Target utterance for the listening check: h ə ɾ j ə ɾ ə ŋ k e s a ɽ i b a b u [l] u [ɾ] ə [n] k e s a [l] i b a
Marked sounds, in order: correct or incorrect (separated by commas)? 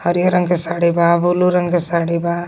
correct, correct, incorrect, incorrect